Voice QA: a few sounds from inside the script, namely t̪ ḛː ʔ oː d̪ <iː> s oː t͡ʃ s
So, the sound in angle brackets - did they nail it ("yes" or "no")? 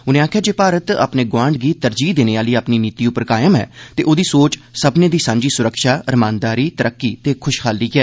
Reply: yes